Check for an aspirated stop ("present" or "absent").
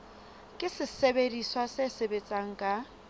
absent